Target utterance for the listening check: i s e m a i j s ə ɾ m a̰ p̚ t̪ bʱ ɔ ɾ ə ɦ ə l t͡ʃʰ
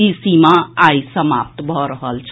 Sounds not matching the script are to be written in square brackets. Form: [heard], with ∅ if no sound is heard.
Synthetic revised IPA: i s [i] m a [a] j s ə [∅] m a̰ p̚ t̪ bʱ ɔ ɾ ə ɦ ə l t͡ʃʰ